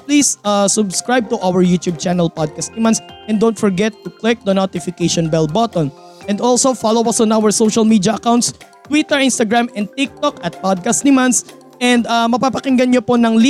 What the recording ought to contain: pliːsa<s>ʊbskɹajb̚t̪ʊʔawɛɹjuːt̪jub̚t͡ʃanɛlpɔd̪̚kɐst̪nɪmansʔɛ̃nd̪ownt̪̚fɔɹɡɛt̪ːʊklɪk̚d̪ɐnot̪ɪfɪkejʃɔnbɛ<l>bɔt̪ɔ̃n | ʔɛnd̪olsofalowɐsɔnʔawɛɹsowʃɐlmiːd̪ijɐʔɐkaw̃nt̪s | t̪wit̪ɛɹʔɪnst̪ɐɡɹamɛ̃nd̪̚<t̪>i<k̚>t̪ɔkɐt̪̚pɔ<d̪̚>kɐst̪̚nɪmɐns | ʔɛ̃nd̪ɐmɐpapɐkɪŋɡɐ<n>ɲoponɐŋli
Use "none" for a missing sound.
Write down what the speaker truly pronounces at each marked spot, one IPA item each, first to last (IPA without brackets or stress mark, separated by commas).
s, l, t̪, k̚, d̪̚, n